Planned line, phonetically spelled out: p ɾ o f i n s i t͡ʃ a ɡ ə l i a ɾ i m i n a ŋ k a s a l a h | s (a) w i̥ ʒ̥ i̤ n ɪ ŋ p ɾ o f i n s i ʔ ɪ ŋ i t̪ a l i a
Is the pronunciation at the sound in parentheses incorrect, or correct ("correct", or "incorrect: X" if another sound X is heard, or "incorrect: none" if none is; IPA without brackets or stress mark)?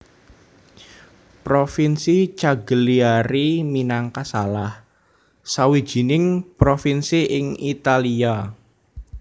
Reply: correct